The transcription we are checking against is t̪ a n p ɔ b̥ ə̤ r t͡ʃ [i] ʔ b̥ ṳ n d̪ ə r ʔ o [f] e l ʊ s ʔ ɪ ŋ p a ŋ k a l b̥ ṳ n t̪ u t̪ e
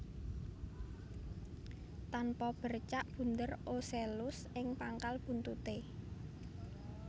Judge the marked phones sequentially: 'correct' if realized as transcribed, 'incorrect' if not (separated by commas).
incorrect, incorrect